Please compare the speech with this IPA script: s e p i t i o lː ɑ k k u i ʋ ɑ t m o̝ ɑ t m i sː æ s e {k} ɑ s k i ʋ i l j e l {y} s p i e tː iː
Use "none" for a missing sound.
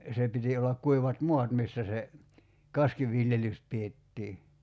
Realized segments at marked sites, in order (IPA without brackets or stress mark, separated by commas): k, y